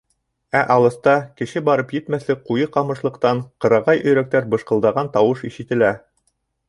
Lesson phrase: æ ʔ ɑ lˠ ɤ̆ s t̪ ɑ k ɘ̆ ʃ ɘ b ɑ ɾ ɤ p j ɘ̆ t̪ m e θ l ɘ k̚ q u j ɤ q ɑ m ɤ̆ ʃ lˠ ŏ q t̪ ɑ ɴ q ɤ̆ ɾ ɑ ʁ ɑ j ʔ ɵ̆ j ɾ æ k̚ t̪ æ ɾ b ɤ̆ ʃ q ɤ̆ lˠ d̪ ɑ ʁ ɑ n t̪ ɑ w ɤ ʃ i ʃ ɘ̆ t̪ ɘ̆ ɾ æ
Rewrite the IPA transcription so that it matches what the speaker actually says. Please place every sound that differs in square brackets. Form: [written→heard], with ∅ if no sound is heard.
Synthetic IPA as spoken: æ ʔ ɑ lˠ ɤ̆ s t̪ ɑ k ɘ̆ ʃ ɘ b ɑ ɾ ɤ p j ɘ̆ t̪ m [e→æ] θ l ɘ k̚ q u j ɤ q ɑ m ɤ̆ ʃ lˠ [ŏ→ɤ̆] q t̪ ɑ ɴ q ɤ̆ ɾ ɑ ʁ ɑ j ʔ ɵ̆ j ɾ æ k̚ t̪ æ ɾ b ɤ̆ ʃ q ɤ̆ lˠ d̪ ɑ ʁ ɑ n t̪ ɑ w ɤ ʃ i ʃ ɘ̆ t̪ ɘ̆ [ɾ→l] æ

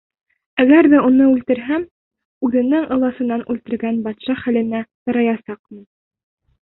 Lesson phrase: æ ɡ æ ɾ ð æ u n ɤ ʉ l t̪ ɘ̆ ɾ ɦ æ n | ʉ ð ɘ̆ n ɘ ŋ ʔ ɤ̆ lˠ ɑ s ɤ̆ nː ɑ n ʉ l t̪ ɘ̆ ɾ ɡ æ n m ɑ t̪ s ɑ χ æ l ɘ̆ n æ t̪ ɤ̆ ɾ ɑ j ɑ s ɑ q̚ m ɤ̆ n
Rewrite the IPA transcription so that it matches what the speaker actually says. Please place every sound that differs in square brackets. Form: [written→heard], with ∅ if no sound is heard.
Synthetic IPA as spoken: æ ɡ æ ɾ ð æ u n ɤ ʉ l t̪ ɘ̆ ɾ ɦ æ [n→m] | ʉ ð ɘ̆ n ɘ ŋ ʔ ɤ̆ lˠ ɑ s ɤ̆ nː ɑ n ʉ l t̪ ɘ̆ ɾ ɡ æ n [m→b] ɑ t̪ [s→ʃ] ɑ χ æ l ɘ̆ n æ t̪ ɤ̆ ɾ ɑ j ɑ s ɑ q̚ m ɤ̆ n

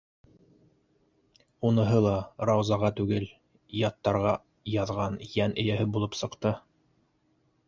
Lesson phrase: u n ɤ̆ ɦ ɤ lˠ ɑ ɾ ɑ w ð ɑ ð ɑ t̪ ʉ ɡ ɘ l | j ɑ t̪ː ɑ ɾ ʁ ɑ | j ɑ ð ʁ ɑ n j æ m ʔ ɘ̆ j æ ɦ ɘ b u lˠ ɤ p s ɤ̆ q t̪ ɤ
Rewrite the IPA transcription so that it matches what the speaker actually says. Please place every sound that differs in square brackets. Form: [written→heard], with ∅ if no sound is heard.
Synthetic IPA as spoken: u n ɤ̆ ɦ ɤ lˠ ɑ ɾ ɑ w [ð→z] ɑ [ð→ʁ] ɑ t̪ ʉ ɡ ɘ l | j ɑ t̪ː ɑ ɾ ʁ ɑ | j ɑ ð ʁ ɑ n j æ [m→n] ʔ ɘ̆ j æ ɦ ɘ b u lˠ ɤ p s ɤ̆ q t̪ ɤ

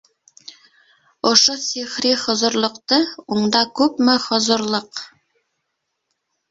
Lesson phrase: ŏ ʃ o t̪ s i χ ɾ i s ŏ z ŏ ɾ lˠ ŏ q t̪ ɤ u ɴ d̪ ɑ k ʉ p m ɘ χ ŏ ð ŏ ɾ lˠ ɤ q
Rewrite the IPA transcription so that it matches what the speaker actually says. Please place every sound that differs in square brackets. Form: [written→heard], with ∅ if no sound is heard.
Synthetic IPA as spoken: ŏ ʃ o [t̪→∅] s i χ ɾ i [s→χ] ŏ z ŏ ɾ lˠ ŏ q t̪ ɤ u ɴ d̪ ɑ k ʉ p m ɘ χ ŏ [ð→z] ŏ ɾ lˠ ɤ q

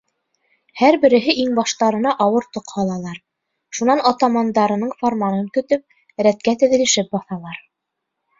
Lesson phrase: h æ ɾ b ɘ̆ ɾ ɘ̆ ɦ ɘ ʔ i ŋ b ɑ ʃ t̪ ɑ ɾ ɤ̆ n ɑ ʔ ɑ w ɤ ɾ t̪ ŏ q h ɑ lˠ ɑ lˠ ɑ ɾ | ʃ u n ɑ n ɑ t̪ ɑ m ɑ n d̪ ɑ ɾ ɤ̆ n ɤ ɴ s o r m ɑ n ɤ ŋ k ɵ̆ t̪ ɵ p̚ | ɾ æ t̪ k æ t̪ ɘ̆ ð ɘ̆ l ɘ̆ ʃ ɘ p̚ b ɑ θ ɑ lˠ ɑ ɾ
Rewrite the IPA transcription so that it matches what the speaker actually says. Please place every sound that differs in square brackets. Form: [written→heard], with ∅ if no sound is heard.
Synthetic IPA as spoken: h æ ɾ b ɘ̆ ɾ ɘ̆ ɦ ɘ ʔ i ŋ b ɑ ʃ t̪ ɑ ɾ ɤ̆ n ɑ ʔ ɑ w ɤ ɾ t̪ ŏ q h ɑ lˠ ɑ lˠ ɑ ɾ | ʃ u n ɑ n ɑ t̪ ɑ m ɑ n d̪ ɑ ɾ ɤ̆ n ɤ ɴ [s→f] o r m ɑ n ɤ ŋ k ɵ̆ t̪ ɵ p̚ | ɾ æ t̪ k æ t̪ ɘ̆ ð ɘ̆ l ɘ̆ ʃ ɘ p̚ b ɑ θ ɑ lˠ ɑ ɾ

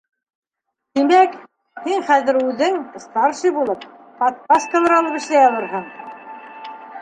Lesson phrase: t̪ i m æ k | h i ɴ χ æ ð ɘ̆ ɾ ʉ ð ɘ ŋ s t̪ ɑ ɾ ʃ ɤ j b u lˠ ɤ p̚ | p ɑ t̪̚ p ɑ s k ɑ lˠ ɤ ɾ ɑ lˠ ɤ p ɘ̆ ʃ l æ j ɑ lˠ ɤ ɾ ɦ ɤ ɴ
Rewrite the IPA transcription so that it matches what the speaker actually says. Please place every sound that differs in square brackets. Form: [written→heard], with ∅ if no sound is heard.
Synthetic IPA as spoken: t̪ i m æ k | h i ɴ χ æ ð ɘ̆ ɾ ʉ ð ɘ ŋ s t̪ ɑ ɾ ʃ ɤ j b u lˠ ɤ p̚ | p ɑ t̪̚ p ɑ s k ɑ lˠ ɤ ɾ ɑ lˠ ɤ p ɘ̆ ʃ l æ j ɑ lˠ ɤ ɾ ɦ ɤ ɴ

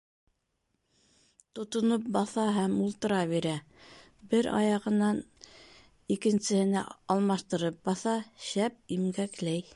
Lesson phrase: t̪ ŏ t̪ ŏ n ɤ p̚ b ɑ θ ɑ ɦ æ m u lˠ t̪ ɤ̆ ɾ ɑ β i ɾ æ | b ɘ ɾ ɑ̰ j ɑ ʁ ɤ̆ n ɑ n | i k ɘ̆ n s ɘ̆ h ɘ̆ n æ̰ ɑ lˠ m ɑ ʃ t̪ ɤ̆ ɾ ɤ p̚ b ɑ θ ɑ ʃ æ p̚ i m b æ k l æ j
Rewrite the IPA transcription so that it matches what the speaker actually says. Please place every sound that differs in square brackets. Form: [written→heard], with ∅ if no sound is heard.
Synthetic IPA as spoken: t̪ ŏ t̪ ŏ n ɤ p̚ b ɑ θ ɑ ɦ æ m u lˠ t̪ ɤ̆ ɾ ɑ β i ɾ æ | b ɘ ɾ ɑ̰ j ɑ ʁ ɤ̆ n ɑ n | i k ɘ̆ n s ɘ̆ h ɘ̆ n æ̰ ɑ lˠ m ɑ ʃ t̪ ɤ̆ ɾ ɤ p̚ b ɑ θ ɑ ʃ æ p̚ i m [b→ɡ] æ k l æ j

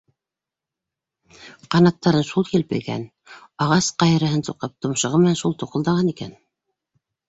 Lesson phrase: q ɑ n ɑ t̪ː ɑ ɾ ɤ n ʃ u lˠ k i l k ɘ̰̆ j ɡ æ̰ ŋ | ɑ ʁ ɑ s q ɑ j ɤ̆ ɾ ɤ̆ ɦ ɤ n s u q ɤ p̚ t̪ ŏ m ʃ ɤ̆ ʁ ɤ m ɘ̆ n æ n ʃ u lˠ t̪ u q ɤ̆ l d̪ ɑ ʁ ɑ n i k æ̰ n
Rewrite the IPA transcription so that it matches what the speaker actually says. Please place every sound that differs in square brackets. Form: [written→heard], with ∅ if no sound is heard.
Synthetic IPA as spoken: q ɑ n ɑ t̪ː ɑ ɾ ɤ n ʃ u lˠ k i l [k→p] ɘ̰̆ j ɡ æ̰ [ŋ→n] | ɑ ʁ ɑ s q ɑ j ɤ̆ ɾ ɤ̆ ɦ ɤ n s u q ɤ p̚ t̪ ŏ m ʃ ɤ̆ ʁ ɤ m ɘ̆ n æ n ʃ u lˠ t̪ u q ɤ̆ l d̪ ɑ ʁ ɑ n i k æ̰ n

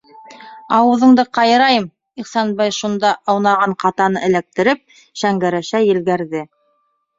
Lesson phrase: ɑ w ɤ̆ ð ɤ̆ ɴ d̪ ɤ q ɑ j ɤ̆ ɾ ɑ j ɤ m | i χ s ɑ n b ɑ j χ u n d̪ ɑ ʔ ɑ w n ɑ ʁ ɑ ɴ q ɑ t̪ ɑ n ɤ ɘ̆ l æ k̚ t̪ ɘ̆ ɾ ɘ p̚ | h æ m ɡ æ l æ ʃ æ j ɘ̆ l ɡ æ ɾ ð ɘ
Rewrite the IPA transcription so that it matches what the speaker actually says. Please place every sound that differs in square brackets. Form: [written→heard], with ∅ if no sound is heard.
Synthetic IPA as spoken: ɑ w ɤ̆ ð ɤ̆ ɴ d̪ ɤ q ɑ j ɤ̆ ɾ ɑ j ɤ m | i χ s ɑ n b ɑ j [χ→ʃ] u n d̪ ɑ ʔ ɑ w n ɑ ʁ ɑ ɴ q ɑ t̪ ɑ n ɤ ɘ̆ l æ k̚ t̪ ɘ̆ ɾ ɘ p̚ | [h→ʃ] æ [m→ŋ] ɡ æ [l→ɾ] æ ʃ æ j ɘ̆ l ɡ æ ɾ ð ɘ

